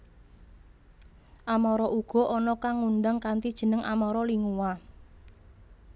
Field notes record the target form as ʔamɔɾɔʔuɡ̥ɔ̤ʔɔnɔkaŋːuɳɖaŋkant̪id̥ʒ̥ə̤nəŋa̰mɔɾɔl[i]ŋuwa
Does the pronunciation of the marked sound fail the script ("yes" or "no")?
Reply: no